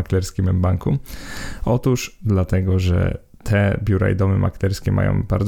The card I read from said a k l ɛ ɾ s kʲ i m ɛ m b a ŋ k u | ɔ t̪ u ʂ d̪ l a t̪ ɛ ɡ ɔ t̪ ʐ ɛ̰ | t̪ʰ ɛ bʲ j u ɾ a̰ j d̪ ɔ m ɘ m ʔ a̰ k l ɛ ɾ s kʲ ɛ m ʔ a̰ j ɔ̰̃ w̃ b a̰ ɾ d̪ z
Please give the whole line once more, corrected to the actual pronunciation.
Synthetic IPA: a k l ɛ ɾ s kʲ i m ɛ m b a ŋ k u | ɔ t̪ u ʂ d̪ l a t̪ ɛ ɡ ɔ ʐ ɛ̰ | t̪ʰ ɛ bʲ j u ɾ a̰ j d̪ ɔ m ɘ m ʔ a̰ k l ɛ ɾ s kʲ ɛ m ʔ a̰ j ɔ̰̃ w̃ b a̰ ɾ d̪ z